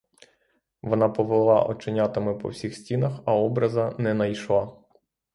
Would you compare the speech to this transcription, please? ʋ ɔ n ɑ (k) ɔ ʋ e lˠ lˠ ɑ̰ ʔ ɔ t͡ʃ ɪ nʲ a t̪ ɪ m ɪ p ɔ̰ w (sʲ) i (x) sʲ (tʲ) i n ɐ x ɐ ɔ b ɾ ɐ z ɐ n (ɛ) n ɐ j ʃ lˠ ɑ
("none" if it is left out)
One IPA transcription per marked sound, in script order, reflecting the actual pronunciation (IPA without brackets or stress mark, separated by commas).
p, sʲ, x, tʲ, ɛ